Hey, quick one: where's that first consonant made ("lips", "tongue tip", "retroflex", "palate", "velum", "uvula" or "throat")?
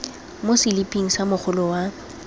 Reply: lips